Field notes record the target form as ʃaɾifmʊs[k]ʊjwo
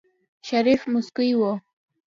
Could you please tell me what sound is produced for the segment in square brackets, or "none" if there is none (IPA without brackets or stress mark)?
k